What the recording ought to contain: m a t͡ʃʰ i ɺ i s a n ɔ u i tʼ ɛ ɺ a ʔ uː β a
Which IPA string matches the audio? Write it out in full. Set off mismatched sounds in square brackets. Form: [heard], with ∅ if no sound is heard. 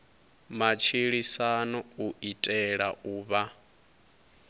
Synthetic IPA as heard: m a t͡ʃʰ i ɺ i s a n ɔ u i tʼ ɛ ɺ a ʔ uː β a